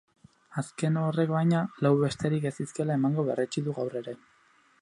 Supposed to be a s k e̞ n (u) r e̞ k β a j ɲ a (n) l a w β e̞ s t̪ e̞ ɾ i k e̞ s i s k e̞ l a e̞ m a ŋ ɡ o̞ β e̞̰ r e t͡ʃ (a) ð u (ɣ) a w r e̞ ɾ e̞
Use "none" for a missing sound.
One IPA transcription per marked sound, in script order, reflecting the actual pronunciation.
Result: o, none, i, ɣ

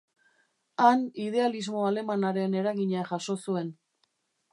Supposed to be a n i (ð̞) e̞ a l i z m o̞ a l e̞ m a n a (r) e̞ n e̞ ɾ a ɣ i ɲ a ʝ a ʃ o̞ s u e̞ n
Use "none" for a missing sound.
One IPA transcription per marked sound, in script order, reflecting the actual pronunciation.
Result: ð̞, ɾ

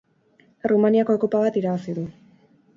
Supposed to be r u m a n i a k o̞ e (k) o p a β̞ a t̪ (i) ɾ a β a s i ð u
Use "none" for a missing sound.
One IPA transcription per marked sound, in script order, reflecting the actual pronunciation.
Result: k, i

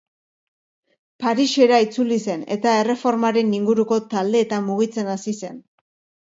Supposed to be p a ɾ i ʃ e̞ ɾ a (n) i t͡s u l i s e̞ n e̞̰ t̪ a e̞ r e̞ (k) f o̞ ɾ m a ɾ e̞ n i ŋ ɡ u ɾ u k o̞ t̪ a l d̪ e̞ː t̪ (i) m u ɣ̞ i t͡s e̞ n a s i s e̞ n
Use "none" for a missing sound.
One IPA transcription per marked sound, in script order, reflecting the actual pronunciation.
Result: none, none, a

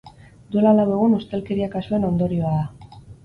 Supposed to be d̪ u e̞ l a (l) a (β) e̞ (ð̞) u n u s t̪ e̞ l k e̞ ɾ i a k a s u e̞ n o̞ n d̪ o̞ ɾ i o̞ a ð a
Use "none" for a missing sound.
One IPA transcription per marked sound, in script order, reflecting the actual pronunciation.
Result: l, w, ɣ̞

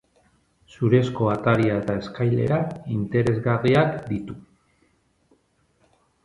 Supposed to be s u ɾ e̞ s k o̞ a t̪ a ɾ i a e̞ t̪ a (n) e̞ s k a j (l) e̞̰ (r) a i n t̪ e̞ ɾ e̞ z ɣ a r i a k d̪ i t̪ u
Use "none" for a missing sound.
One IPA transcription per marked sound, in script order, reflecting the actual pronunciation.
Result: none, l, ɾ

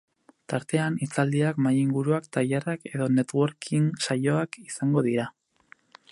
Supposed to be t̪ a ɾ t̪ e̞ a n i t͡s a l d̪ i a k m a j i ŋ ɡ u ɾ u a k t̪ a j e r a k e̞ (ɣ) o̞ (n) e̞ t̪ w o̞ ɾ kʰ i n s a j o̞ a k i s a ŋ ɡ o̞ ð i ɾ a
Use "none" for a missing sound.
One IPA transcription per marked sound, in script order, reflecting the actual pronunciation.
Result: ð, n

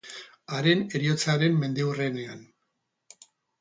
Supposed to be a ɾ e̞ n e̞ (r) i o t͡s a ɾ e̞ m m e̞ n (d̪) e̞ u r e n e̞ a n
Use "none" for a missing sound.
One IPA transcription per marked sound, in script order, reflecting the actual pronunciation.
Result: ɾ, d̪

